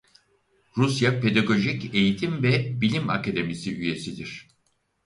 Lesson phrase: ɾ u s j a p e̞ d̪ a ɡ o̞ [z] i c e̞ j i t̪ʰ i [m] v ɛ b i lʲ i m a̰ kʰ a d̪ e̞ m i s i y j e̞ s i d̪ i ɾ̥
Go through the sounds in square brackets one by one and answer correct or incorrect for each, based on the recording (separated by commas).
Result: incorrect, correct